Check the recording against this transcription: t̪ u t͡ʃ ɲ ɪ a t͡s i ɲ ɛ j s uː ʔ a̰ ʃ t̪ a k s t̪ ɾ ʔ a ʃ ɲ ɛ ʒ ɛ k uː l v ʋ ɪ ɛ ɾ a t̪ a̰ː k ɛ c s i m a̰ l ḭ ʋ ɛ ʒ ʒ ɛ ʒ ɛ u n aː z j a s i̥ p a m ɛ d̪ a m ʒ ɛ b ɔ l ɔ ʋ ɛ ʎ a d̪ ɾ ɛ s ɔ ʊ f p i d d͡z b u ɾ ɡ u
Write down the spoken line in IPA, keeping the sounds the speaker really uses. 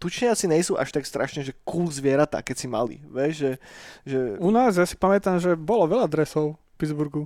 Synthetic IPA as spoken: t̪ u t͡ʃ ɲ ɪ a t͡s i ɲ ɛ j s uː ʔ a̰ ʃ t̪ a k s t̪ ɾ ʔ a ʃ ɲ ɛ ʒ ɛ k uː l z ʋ ɪ ɛ ɾ a t̪ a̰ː k ɛ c s i m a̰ l ḭ ʋ ɛ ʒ ʒ ɛ ʒ ɛ u n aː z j a s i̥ p a m ɛ t̪ a m ʒ ɛ b ɔ l ɔ ʋ ɛ ʎ a d̪ ɾ ɛ s ɔ ʊ f p i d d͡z b u ɾ ɡ u